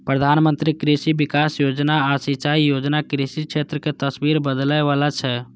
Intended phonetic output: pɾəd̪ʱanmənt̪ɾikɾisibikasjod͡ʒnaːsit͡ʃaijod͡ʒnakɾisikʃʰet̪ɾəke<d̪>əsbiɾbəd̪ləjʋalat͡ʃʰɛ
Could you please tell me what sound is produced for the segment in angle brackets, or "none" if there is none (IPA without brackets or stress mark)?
t̪